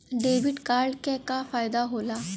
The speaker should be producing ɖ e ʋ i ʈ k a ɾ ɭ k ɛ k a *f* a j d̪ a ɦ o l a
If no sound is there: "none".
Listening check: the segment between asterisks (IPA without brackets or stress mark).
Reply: f